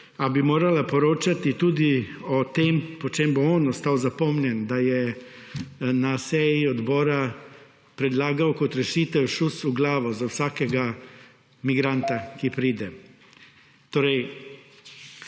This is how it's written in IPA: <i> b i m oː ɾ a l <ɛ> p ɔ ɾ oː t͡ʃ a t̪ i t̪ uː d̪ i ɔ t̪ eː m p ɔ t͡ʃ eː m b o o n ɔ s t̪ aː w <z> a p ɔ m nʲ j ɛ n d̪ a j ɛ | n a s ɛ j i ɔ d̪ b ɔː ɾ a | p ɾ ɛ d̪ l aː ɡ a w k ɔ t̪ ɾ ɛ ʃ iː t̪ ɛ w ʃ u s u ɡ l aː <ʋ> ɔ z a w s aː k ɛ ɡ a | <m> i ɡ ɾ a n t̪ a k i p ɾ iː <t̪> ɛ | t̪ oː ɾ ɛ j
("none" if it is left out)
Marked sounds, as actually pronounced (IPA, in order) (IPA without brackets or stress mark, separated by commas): a, a, z, ʋ, m, d̪